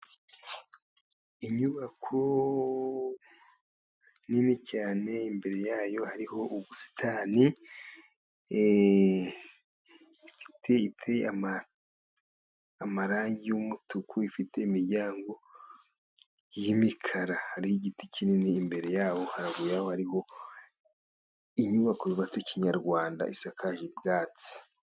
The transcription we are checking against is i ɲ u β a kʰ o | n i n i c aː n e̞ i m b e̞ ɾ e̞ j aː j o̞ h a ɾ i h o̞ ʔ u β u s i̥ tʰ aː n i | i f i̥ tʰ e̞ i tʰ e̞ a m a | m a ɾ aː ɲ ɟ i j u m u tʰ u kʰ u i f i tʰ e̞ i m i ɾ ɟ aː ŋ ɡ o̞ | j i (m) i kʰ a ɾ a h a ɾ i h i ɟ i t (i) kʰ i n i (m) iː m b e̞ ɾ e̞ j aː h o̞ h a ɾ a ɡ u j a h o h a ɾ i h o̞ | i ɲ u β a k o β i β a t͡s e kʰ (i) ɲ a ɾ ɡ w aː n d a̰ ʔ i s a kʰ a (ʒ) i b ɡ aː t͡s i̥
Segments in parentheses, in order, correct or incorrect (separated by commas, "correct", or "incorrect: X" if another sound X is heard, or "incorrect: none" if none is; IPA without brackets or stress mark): correct, correct, incorrect: n, correct, correct